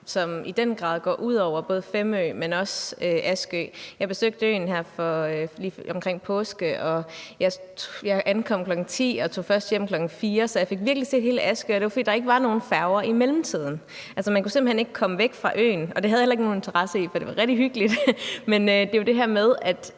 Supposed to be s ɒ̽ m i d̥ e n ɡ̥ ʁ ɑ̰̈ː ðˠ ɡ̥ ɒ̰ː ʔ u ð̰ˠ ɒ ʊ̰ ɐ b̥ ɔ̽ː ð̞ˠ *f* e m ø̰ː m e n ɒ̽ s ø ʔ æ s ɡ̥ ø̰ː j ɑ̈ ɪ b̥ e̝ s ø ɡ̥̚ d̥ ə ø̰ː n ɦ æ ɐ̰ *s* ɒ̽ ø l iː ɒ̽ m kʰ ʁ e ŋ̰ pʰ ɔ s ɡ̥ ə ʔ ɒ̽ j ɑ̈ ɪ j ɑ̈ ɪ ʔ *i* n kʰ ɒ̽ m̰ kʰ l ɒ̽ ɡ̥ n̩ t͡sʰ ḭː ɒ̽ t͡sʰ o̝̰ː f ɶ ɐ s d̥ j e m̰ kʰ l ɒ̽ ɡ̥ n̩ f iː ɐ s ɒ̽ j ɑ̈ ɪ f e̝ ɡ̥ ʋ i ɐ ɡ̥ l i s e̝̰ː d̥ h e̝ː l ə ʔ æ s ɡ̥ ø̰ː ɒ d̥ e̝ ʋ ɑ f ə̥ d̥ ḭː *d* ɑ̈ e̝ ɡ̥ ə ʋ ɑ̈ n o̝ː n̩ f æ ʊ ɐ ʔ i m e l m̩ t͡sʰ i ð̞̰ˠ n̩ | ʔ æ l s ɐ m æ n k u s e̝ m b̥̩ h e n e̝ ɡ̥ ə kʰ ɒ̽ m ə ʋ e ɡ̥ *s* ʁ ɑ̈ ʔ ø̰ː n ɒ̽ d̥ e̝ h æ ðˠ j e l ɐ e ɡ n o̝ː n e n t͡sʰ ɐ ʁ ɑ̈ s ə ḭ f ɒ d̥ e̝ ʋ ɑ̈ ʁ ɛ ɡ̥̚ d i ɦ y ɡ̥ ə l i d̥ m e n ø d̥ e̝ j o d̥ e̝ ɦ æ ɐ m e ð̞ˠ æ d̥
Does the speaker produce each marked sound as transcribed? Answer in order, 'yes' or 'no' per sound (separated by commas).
yes, no, no, yes, no